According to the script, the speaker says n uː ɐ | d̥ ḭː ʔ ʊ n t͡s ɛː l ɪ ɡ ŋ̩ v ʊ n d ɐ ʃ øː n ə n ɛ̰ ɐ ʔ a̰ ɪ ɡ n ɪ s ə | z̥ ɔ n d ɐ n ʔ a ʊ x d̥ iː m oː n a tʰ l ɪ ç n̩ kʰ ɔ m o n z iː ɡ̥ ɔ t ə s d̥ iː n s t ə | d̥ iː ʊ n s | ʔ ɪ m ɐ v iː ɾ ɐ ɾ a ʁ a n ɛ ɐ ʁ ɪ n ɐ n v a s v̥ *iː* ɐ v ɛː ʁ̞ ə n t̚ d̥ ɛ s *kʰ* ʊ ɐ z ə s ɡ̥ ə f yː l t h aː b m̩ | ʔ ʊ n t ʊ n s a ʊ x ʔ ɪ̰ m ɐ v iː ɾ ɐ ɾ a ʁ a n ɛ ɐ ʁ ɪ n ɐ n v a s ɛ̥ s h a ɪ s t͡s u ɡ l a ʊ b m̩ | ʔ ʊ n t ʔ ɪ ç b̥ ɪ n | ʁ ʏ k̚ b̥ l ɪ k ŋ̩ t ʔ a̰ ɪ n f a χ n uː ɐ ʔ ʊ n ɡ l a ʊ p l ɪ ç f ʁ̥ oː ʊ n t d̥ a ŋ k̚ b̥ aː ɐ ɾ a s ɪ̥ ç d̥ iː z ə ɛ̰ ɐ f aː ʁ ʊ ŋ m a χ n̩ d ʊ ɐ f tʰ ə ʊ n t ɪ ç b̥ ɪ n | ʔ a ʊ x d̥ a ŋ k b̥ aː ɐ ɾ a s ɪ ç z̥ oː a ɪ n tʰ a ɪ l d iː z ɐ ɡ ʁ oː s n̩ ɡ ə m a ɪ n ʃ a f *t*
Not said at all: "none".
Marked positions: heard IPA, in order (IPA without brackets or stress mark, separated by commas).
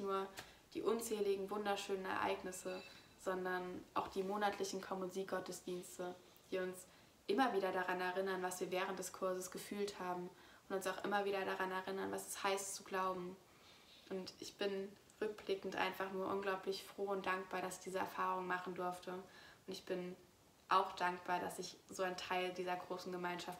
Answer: iː, kʰ, t